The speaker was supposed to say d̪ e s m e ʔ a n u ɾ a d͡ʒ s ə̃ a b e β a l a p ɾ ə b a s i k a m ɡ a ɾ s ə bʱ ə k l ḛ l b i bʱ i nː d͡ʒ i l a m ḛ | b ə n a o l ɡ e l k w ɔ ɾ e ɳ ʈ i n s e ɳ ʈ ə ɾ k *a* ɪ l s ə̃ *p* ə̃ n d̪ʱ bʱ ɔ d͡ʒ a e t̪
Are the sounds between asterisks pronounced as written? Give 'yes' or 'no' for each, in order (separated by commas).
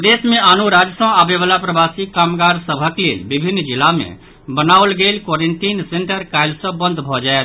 yes, no